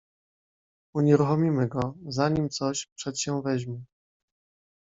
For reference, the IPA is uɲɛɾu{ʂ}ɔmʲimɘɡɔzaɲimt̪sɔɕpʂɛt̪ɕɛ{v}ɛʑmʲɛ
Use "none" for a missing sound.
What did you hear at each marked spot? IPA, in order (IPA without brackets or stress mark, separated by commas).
x, v